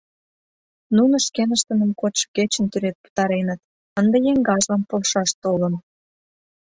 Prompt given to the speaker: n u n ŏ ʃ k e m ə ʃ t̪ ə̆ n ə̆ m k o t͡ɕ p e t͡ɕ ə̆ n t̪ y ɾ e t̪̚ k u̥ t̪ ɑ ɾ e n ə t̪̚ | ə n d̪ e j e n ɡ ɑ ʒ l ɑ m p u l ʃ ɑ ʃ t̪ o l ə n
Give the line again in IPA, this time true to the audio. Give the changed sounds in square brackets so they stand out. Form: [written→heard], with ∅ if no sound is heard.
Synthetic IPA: n u n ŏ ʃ k e [m→n] ə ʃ t̪ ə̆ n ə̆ m k o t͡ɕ [p→k] e t͡ɕ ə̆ n t̪ y ɾ e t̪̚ [k→p] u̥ t̪ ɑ ɾ e n ə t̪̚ | ə n d̪ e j e [n→ŋ] ɡ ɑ ʒ l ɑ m p [u→o] l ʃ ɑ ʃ t̪ o l ə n